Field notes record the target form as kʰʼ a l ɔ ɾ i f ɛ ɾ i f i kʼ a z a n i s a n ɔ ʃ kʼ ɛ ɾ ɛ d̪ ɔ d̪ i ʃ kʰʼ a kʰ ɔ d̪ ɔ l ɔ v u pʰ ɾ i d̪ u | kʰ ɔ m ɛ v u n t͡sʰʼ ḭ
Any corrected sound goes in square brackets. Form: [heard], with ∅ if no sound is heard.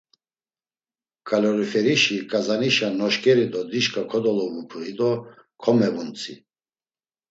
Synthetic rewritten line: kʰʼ a l ɔ ɾ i f ɛ ɾ i [ʃ] i kʼ a z a n i [ʃ] a n ɔ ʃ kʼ ɛ ɾ [i] d̪ ɔ d̪ i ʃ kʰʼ a kʰ ɔ d̪ ɔ l ɔ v u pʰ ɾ i d̪ [ɔ] | kʰ ɔ m ɛ v u n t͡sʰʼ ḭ